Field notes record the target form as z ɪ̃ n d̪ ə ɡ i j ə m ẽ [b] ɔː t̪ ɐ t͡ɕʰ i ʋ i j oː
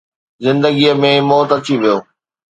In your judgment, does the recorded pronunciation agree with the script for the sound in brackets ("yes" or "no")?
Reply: no